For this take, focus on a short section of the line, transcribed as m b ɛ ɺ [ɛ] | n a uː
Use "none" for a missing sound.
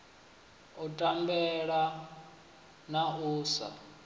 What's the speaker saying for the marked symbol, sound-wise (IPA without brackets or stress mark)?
a